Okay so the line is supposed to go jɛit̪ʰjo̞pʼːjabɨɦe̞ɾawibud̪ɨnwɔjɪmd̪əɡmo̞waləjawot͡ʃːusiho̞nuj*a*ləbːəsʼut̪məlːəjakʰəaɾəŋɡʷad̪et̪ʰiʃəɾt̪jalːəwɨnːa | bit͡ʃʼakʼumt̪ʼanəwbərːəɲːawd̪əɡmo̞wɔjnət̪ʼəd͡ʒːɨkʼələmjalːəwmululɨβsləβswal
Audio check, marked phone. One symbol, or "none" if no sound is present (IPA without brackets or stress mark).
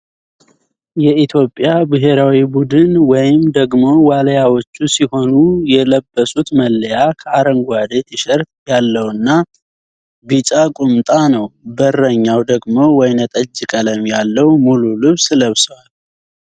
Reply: ɛ